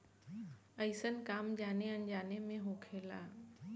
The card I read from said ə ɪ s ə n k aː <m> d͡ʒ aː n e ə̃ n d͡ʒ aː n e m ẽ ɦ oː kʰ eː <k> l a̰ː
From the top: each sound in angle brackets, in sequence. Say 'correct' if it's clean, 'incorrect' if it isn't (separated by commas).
correct, incorrect